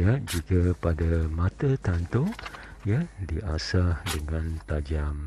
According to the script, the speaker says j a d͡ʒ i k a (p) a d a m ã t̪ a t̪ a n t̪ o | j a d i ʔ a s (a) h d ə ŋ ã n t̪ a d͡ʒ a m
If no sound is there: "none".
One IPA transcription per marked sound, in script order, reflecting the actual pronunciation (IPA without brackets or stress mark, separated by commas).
p, a